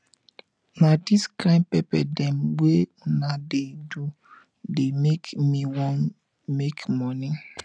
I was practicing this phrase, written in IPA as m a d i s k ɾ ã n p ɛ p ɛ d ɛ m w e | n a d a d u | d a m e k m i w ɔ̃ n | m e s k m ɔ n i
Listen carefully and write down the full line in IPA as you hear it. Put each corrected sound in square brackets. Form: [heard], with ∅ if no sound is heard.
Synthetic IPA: [n] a d i s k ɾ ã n p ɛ p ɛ d ɛ m w e | n a d [e] d u | d [e] m e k m i w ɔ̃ n | m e [∅] k m ɔ n i